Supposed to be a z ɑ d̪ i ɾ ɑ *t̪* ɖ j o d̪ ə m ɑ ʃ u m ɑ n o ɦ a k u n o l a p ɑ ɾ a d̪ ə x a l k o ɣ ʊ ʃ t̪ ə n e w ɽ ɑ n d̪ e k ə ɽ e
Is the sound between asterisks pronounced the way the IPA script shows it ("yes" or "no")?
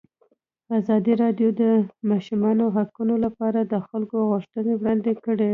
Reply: no